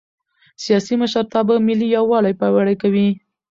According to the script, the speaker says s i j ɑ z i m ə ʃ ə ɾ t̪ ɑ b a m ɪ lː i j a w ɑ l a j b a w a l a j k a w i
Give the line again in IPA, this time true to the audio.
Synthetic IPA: s i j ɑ s i m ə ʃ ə ɾ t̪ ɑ b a m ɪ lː i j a w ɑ l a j p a w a ɽ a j k a w i